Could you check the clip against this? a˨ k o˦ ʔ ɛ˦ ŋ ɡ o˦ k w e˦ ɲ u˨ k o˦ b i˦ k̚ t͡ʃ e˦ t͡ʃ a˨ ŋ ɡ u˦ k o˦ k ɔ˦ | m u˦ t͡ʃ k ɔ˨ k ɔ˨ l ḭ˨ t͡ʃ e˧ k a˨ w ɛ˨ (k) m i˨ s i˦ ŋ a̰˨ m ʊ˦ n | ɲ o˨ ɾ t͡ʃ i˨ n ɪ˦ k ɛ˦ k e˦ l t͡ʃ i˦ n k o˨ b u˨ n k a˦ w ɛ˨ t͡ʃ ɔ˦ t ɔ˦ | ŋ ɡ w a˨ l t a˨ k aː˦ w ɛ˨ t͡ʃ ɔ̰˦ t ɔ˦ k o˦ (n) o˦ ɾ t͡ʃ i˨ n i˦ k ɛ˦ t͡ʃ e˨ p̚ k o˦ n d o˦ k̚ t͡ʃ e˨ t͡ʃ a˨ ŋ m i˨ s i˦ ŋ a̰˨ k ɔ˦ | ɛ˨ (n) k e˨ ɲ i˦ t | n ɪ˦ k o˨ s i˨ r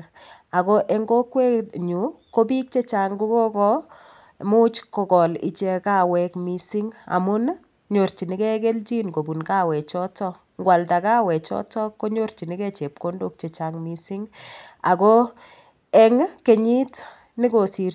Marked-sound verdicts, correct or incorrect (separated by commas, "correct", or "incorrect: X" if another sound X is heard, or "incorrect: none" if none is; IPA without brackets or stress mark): correct, incorrect: ɲ, incorrect: ŋ